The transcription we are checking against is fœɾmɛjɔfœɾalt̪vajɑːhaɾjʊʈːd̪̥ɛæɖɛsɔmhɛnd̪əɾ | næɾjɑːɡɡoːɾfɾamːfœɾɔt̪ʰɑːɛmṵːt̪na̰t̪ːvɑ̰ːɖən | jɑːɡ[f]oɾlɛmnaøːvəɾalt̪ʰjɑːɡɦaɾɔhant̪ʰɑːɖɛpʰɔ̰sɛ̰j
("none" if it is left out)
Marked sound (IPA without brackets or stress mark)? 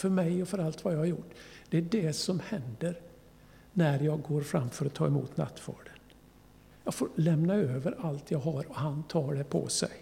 f